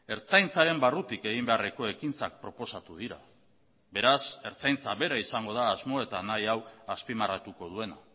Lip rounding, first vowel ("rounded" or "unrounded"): unrounded